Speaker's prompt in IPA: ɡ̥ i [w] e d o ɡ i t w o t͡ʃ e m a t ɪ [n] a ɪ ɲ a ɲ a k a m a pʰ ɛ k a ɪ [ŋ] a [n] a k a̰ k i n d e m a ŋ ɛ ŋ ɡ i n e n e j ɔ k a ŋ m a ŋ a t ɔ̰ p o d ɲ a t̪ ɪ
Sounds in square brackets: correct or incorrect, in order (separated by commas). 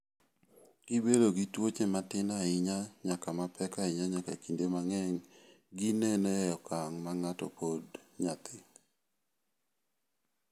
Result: incorrect, correct, incorrect, incorrect